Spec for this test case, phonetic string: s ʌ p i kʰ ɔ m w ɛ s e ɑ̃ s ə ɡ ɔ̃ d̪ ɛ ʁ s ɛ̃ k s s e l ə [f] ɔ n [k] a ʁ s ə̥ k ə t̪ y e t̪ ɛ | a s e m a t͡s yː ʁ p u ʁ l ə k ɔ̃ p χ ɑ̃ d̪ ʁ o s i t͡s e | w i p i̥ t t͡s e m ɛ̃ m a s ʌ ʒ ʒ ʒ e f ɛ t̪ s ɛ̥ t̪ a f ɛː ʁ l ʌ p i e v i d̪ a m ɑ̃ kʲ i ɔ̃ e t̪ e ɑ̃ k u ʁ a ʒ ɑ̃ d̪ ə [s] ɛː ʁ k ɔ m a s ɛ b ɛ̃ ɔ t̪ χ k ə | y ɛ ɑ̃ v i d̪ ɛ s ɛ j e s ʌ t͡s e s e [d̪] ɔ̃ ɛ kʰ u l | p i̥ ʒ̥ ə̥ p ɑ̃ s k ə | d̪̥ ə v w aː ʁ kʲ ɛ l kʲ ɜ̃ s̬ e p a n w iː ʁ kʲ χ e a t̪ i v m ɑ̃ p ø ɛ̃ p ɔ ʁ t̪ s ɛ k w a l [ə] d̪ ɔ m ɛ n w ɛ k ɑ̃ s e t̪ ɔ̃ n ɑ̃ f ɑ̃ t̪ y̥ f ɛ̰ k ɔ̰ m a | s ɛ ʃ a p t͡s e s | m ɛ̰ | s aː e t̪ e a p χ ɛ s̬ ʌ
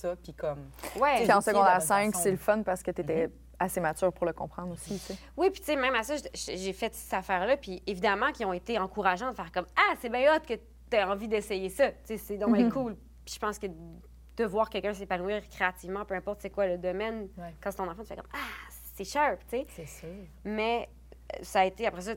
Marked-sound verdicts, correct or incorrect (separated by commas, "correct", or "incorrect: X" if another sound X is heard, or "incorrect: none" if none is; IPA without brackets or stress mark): correct, incorrect: p, incorrect: f, correct, correct